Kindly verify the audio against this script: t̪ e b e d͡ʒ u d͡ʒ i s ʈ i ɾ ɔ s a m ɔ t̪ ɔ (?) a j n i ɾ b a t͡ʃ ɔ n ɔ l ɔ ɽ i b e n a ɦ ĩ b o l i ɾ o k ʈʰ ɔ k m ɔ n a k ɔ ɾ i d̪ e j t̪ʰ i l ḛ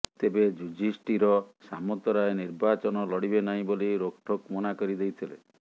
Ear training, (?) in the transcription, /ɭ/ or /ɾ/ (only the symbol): ɾ